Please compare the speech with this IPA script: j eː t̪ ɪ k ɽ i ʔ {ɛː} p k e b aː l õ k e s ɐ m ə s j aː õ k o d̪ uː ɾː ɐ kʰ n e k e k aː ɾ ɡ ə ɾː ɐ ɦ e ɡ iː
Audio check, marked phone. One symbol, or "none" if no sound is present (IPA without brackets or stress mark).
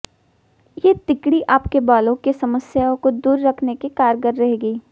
aː